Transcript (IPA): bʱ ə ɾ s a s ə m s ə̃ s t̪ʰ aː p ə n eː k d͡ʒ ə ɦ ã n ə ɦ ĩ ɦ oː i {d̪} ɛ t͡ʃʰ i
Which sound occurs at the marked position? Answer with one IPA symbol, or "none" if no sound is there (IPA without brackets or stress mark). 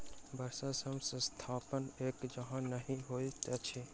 t̪